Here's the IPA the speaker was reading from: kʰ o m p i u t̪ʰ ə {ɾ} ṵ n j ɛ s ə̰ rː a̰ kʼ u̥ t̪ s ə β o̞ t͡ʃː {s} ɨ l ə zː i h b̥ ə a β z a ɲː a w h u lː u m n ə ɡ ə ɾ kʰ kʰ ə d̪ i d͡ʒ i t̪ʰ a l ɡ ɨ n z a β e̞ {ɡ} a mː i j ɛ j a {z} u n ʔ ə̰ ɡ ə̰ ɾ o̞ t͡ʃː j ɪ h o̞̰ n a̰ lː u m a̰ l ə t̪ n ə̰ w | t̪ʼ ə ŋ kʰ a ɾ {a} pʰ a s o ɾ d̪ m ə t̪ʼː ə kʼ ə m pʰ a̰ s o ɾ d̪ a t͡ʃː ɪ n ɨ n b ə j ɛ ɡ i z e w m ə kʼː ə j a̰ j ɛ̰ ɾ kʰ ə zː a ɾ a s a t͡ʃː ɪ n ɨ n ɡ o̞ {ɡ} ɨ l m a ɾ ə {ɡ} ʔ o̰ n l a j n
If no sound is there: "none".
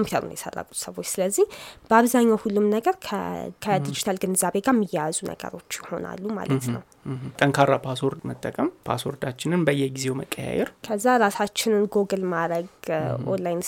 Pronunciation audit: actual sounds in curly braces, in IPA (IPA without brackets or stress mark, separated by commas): ɾ, s, ɡ, z, a, ɡ, ɡ